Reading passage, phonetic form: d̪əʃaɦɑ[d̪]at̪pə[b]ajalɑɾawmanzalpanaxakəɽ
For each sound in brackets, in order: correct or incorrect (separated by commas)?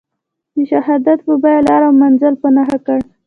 correct, correct